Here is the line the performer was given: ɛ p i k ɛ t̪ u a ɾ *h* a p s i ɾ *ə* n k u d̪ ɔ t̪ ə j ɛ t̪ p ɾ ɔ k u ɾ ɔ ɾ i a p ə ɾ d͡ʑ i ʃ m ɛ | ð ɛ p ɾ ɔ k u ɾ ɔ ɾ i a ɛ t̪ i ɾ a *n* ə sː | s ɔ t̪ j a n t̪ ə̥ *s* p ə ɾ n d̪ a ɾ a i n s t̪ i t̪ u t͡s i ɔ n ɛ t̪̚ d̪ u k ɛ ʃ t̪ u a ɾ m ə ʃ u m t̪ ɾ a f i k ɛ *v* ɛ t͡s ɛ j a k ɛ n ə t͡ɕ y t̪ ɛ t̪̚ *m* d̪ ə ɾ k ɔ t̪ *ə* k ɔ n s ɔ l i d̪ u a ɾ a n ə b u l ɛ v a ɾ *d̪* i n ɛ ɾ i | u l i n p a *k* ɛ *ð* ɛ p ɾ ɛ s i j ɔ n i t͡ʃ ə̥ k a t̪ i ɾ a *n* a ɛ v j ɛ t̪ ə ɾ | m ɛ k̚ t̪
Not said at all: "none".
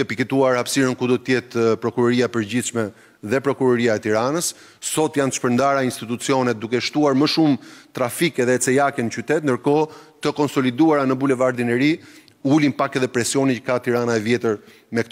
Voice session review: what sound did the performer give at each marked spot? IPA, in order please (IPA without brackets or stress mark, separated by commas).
h, ə, n, ʃ, ð, n, ə, d̪, k, ð, n